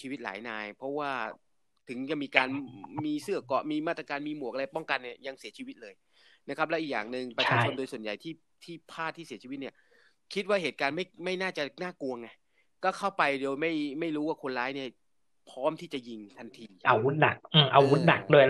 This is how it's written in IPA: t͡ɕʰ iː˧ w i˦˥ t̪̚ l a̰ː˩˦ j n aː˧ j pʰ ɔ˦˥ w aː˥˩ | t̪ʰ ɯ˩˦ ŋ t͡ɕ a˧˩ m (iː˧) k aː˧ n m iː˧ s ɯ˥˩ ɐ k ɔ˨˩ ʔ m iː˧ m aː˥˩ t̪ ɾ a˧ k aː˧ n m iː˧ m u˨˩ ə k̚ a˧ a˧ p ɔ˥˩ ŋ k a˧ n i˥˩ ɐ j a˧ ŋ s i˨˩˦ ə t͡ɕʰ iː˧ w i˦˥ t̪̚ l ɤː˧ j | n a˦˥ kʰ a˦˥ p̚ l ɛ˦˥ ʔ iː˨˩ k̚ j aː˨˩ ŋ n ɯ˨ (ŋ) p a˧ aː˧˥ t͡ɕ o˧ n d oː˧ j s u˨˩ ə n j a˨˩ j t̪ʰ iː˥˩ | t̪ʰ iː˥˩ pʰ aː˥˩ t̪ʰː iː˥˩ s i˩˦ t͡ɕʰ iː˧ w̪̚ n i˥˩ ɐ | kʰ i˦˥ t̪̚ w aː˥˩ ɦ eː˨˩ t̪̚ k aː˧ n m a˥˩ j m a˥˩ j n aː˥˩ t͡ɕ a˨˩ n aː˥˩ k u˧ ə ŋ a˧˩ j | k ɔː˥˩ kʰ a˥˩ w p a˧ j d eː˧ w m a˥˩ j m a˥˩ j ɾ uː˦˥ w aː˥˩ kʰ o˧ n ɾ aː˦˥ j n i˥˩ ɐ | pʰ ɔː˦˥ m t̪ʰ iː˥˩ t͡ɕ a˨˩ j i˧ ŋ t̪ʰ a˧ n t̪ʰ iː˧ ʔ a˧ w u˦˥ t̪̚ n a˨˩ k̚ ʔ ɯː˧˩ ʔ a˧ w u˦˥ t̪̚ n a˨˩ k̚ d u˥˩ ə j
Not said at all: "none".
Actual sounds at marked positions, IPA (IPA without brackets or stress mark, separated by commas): iː˧, ŋ